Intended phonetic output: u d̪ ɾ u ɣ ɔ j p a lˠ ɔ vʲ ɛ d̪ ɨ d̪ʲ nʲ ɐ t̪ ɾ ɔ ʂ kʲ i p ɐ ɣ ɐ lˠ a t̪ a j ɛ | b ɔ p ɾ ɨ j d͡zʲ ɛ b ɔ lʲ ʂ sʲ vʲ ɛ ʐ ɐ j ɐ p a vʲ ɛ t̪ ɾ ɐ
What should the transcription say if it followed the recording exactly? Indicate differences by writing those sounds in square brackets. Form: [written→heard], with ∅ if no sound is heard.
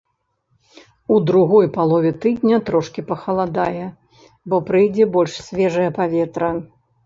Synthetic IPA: u d̪ ɾ u ɣ ɔ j p a lˠ ɔ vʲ ɛ [d̪→t̪] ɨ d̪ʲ nʲ ɐ t̪ ɾ ɔ ʂ kʲ i p ɐ [ɣ→x] ɐ lˠ a [t̪→d̪] a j ɛ | b ɔ p ɾ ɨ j d͡zʲ ɛ b ɔ lʲ ʂ sʲ vʲ ɛ ʐ ɐ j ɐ p a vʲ ɛ t̪ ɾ ɐ